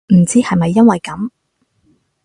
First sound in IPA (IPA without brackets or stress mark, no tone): m̩